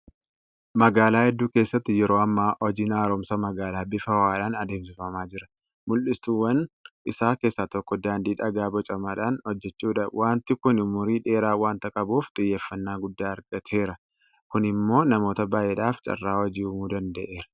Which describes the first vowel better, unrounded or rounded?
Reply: unrounded